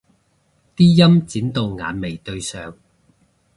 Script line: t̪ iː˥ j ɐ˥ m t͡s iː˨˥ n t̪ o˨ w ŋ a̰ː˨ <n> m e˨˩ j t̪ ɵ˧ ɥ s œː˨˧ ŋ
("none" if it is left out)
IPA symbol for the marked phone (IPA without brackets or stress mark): n